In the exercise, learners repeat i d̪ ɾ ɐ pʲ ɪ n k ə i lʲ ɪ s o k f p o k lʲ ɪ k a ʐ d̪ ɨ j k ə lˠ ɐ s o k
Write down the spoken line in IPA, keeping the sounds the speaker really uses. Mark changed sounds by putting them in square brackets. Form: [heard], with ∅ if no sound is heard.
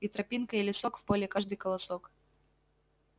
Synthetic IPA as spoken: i [t̪] ɾ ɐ pʲ [i] n k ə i lʲ ɪ s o k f p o [∅] lʲ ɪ k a ʐ d̪ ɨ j k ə lˠ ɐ s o k